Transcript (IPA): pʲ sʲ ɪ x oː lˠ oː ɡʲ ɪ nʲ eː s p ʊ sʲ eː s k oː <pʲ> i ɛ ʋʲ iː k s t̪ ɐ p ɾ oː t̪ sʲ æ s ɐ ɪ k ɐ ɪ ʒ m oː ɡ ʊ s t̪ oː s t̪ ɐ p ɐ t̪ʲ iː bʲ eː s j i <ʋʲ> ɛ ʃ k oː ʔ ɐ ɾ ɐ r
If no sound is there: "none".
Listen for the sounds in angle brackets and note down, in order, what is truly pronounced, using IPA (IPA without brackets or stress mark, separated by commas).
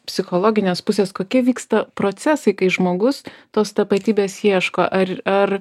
kʲ, none